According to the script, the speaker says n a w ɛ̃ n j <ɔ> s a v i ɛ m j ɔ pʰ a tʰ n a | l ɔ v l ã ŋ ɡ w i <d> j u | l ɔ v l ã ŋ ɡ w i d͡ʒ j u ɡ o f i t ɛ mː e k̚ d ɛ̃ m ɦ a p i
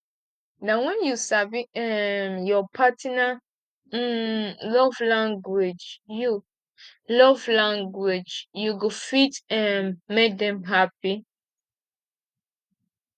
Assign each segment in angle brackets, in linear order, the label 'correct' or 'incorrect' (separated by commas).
incorrect, incorrect